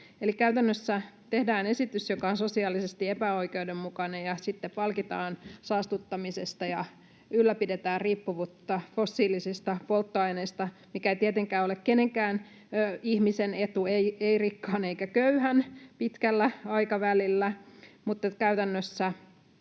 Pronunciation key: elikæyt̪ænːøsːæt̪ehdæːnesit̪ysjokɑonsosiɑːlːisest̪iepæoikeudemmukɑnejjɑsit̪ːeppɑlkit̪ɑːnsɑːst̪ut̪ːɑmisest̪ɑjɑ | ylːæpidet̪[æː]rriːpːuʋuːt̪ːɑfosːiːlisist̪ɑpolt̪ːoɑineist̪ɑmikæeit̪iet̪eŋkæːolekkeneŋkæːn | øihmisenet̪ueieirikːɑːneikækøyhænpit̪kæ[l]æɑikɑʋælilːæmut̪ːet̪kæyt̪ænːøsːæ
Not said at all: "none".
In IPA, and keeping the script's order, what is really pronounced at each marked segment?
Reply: æː, lː

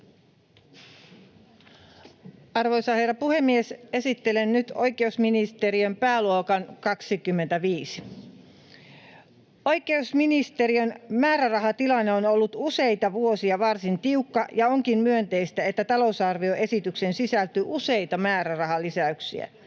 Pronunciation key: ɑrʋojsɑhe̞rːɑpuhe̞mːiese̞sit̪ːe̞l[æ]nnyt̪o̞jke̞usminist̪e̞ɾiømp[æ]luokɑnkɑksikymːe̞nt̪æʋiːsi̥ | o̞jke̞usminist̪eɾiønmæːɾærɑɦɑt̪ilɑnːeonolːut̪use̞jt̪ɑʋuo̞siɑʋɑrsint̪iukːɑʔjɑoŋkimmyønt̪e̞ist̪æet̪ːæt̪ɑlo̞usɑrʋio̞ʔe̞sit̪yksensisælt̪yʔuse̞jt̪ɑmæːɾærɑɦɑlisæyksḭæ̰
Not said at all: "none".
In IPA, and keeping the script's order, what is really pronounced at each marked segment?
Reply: e, æː

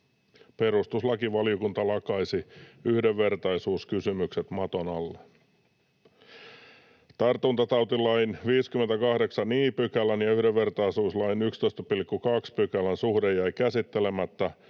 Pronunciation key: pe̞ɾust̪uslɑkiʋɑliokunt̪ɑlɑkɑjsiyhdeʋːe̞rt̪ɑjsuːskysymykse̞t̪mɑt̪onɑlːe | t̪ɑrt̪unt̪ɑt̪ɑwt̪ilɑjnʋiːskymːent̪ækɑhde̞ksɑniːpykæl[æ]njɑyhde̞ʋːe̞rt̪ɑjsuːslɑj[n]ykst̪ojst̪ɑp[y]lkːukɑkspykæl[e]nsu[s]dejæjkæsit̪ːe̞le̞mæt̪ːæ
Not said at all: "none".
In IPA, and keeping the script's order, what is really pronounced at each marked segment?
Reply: æ, n, i, æ, h

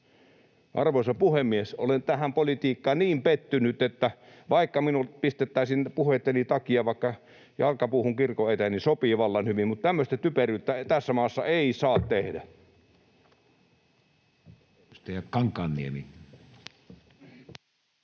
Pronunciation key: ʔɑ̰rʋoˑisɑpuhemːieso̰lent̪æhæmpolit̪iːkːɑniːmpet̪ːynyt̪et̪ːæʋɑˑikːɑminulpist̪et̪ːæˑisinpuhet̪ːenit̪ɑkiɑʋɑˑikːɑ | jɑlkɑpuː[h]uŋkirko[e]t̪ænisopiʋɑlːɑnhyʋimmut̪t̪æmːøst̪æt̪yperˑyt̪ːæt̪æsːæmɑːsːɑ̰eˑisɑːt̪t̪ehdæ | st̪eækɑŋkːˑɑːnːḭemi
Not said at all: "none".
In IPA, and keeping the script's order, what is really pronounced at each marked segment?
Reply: h, e

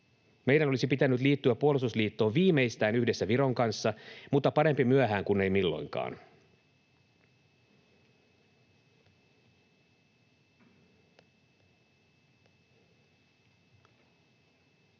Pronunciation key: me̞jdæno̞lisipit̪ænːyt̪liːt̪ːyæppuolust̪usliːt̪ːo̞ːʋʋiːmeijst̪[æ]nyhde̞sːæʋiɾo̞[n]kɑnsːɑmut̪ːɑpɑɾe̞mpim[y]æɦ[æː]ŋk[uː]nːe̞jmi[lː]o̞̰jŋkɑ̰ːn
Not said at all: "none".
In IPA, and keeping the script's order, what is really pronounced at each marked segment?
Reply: æː, ŋ, y, æː, u, lː

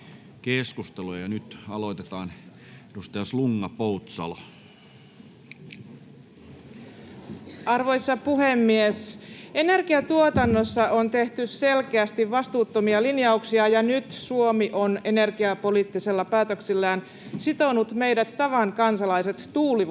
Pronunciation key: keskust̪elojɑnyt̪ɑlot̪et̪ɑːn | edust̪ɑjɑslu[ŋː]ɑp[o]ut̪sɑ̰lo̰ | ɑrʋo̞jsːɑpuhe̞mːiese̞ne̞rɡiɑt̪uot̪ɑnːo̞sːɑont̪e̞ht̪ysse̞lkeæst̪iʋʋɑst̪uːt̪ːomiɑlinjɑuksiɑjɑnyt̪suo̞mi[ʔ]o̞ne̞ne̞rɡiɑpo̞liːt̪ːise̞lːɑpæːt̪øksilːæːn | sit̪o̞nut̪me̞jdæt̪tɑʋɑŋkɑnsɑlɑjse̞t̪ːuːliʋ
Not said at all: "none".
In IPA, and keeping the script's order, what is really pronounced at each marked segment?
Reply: ŋː, o, ʔ

